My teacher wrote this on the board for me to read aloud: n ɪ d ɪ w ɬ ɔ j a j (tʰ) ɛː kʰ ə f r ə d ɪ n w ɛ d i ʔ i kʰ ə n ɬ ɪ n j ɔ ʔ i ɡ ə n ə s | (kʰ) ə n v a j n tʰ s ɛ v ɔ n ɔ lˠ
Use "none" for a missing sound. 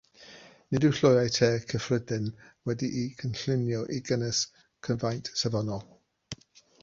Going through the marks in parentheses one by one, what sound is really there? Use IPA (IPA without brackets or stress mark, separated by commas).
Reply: tʰ, kʰ